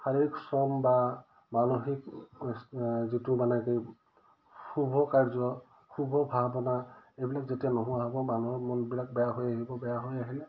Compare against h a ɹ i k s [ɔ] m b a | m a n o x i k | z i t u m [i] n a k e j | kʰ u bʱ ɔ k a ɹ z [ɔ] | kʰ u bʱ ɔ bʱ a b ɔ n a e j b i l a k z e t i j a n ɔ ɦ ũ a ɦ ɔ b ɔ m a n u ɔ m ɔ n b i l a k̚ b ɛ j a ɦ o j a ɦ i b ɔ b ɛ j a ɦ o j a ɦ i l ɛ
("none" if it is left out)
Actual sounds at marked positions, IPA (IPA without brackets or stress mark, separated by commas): ɔ, a, ɔ